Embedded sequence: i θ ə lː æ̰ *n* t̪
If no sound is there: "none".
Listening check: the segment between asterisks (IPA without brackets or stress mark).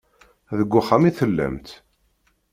m